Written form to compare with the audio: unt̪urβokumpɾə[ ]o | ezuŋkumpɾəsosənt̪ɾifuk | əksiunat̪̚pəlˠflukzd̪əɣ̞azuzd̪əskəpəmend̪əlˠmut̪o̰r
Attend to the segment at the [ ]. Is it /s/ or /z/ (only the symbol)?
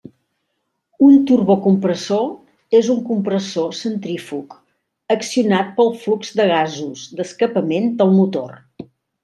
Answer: s